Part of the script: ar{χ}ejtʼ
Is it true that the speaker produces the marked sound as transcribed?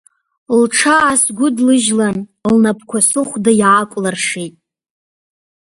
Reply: no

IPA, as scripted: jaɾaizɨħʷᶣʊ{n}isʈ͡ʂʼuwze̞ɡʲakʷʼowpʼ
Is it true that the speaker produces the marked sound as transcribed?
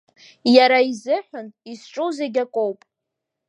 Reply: yes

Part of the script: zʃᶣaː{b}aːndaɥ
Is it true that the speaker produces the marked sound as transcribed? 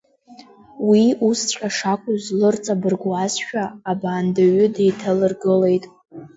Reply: yes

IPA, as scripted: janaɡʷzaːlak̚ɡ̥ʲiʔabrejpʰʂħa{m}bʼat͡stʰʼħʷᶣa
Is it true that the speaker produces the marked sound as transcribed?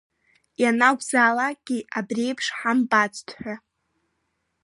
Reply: yes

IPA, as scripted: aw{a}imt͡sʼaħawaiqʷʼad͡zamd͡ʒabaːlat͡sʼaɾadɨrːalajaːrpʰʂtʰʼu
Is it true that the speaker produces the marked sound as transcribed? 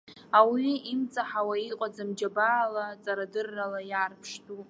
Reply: no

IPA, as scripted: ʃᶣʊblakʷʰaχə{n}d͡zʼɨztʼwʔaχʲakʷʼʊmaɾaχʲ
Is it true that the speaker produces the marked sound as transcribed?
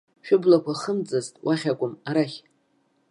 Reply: no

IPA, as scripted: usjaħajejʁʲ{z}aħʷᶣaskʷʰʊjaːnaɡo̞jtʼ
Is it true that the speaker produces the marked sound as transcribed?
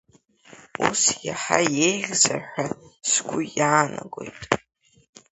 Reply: yes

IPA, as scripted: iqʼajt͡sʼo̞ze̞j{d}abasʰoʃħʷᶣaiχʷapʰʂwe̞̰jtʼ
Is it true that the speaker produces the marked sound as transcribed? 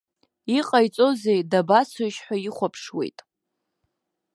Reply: yes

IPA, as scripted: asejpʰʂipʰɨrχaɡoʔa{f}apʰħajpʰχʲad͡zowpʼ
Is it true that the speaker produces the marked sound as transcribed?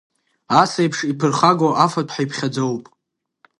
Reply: yes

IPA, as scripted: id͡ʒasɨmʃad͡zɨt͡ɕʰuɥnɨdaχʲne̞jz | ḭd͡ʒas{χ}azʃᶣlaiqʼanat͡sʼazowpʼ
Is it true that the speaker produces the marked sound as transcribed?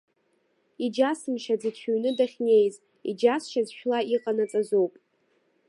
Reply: no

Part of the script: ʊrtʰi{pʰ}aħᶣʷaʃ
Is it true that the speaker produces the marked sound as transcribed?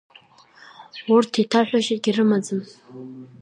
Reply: no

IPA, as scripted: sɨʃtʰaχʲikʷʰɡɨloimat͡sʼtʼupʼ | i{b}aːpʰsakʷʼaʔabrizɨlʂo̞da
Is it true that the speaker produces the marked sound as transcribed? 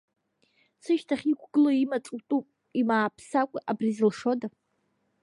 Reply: no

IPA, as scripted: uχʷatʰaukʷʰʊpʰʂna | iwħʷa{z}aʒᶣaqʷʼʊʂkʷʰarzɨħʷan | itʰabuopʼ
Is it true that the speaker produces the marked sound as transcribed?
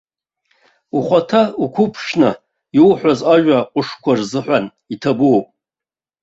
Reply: yes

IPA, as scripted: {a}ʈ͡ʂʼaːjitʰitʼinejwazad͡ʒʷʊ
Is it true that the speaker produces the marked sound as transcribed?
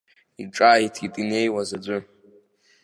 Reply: no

